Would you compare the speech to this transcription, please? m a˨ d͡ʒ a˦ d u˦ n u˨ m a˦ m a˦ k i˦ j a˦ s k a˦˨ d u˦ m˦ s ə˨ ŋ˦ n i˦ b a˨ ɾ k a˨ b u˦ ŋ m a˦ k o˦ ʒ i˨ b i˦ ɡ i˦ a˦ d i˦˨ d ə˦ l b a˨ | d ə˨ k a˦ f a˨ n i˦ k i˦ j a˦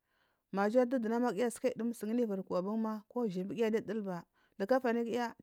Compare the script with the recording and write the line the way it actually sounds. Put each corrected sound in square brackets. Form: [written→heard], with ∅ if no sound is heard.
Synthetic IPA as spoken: m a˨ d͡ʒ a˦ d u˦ [n→d] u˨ [m→n] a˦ m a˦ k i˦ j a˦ s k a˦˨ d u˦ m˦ s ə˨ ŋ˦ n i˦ [b→v] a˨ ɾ k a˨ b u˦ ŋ m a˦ k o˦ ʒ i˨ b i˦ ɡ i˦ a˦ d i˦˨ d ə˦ l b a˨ | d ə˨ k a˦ f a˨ n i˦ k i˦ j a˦